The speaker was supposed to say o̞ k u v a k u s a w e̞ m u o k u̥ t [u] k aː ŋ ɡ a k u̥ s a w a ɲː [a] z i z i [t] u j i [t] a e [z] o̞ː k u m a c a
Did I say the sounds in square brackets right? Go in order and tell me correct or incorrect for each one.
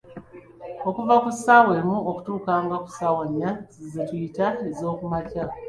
incorrect: uː, correct, correct, correct, correct

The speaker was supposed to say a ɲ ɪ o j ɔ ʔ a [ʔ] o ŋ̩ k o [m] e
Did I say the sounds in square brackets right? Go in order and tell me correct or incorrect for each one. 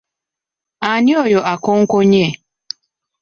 incorrect: k, incorrect: ɲ

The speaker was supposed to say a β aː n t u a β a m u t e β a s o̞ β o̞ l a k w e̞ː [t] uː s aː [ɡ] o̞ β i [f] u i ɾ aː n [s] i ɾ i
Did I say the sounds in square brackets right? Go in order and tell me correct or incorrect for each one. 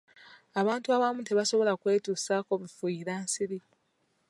correct, incorrect: k, correct, correct

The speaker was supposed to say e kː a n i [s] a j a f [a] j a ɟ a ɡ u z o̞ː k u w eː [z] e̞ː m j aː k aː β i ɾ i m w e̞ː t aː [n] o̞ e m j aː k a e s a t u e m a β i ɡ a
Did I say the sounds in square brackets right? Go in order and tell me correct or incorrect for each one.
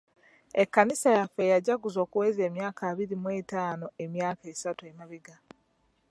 correct, incorrect: e, correct, correct

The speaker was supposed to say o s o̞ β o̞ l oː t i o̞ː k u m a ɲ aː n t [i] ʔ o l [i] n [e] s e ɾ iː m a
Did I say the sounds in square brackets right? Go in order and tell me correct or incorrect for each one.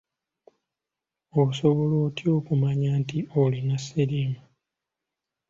correct, correct, incorrect: a

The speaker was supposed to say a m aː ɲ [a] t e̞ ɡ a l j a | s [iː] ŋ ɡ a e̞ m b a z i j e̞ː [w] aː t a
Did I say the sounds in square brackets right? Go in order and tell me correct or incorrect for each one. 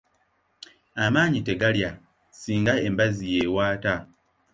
incorrect: i, correct, correct

